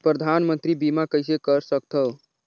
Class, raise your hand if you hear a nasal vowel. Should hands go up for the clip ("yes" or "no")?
no